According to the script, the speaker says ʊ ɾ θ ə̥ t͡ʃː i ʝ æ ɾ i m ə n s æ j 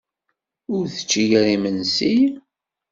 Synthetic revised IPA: ʊ ɾ θ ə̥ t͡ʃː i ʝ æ ɾ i m ə n s i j